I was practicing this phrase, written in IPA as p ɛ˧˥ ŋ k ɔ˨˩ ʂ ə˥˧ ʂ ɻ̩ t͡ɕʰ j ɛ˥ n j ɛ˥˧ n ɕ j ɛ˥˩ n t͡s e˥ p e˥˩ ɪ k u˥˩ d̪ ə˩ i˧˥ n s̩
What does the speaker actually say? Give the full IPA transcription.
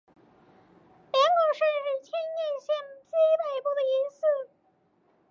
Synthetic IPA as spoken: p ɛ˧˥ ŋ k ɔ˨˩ ʂ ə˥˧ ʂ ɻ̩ t͡ɕʰ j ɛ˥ n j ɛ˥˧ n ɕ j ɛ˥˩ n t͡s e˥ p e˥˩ ɪ p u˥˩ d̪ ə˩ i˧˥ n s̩